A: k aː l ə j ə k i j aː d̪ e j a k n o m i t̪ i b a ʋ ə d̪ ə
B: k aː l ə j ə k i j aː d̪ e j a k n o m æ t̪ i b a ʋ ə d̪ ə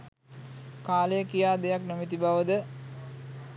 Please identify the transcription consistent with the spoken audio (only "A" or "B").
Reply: A